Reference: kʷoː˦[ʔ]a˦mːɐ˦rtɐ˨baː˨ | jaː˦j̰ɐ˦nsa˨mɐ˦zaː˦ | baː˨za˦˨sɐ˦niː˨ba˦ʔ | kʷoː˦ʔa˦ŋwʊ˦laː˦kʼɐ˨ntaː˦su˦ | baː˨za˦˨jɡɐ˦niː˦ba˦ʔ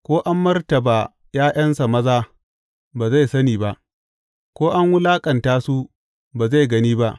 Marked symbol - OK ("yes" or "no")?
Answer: yes